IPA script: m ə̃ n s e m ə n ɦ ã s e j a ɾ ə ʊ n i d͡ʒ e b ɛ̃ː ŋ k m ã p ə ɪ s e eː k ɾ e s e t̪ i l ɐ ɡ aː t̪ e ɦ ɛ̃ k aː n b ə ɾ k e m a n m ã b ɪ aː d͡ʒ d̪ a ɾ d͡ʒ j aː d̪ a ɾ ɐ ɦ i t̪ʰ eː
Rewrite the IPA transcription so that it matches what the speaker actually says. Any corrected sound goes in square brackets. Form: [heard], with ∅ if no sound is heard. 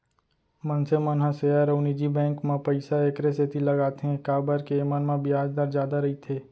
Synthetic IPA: m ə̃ n s e m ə n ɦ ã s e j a ɾ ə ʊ n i d͡ʒ [i] b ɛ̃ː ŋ k m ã p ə ɪ s [a] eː k ɾ e s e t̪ i l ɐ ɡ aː t̪ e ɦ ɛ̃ k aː [∅] b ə ɾ k e m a n m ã b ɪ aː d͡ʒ d̪ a ɾ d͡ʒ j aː d̪ a ɾ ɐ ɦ i t̪ʰ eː

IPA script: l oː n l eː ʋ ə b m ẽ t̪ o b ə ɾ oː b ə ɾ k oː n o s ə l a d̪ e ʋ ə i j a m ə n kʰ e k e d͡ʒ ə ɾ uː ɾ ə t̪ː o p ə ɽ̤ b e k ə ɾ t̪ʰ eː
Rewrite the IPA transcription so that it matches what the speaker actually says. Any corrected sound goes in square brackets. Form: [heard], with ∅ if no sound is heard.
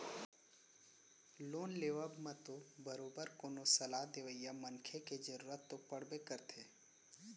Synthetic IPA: l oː n l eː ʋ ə b m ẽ t̪ o b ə ɾ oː b ə ɾ k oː n o s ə l a d̪ e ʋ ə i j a m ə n kʰ e k e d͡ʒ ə ɾ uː ɾ ə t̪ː o p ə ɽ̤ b e k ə ɾ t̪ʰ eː

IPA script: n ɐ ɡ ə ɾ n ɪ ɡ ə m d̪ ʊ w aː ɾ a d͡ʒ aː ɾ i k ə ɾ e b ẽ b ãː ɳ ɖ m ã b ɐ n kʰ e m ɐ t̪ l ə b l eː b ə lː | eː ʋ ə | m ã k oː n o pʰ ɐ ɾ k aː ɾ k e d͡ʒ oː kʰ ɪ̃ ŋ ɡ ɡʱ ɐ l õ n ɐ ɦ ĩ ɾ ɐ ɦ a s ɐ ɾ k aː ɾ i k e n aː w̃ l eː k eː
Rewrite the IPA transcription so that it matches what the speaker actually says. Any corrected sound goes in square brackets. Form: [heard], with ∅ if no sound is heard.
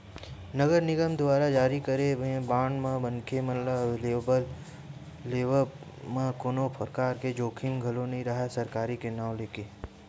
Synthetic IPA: n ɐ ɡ ə ɾ n ɪ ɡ ə m d̪ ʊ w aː ɾ a d͡ʒ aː ɾ i k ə ɾ e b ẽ b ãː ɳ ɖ m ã b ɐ n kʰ e m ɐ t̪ l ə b l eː b ə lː | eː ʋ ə | m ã k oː n o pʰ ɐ ɾ k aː ɾ k e d͡ʒ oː kʰ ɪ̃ ŋ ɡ ɡʱ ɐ l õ n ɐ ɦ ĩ ɾ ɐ ɦ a s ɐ ɾ k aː ɾ i k e n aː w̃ l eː k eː

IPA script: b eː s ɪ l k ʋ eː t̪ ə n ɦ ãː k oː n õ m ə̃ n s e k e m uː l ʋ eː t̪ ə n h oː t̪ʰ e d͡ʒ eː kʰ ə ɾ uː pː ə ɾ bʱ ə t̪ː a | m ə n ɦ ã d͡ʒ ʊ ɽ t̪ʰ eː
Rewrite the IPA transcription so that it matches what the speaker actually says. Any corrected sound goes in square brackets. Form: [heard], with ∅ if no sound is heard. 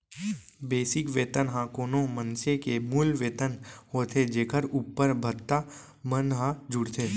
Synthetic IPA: b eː s ɪ [∅] k ʋ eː t̪ ə n ɦ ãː k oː n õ m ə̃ n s e k e m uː l ʋ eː t̪ ə n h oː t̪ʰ e d͡ʒ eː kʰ ə ɾ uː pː ə ɾ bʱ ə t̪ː a | m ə n ɦ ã d͡ʒ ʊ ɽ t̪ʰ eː

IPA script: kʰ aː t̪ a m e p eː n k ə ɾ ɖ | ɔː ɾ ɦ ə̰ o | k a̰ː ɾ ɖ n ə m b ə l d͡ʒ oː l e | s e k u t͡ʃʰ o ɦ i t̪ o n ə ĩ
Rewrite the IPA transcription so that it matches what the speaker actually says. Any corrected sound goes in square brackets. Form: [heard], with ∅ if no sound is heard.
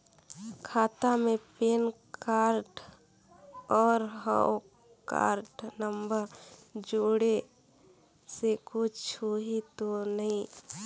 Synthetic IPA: kʰ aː t̪ a m e p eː n k [a] ɾ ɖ | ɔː ɾ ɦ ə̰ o | k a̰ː ɾ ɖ n ə m b ə [ɾ] d͡ʒ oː [ɽ] e | s e k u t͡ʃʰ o ɦ i t̪ o n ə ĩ

